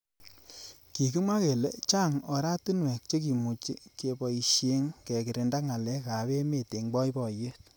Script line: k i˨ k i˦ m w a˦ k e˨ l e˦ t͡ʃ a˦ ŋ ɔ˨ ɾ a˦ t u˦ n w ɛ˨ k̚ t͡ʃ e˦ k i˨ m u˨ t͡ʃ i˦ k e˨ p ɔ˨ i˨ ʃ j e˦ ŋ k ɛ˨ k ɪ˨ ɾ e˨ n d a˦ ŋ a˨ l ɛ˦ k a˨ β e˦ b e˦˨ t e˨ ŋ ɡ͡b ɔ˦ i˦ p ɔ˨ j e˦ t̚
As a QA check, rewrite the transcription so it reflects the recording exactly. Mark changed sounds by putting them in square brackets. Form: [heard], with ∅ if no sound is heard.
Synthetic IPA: k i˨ k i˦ m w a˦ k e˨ l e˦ t͡ʃ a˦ ŋ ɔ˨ ɾ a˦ t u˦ n w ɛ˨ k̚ t͡ʃ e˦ k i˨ m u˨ t͡ʃ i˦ k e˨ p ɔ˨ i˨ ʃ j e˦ ŋ k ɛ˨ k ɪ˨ ɾ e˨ n d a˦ ŋ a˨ l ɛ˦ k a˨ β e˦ [m] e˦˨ t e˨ ŋ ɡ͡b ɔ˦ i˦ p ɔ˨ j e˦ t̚